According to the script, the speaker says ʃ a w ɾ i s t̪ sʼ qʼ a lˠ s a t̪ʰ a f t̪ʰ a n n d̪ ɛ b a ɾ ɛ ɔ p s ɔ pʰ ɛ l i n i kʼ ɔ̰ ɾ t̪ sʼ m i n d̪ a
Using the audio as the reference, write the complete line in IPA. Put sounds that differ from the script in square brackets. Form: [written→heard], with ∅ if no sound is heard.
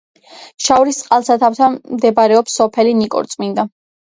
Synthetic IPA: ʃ a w ɾ i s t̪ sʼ qʼ a lˠ s a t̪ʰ a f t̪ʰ a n [n→m] d̪ ɛ b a ɾ ɛ ɔ p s ɔ pʰ ɛ l i n i kʼ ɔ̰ ɾ t̪ sʼ m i n d̪ a